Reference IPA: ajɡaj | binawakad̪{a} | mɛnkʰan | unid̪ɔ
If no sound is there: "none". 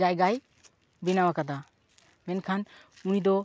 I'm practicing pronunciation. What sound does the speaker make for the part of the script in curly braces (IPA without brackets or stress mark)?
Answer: a